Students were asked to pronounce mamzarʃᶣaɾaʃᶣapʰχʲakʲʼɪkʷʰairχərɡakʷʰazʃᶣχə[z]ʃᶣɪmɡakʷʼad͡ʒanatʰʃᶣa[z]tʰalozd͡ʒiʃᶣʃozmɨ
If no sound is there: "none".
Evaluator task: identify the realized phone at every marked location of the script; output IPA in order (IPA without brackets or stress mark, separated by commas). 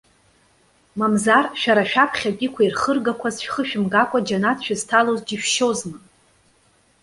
none, z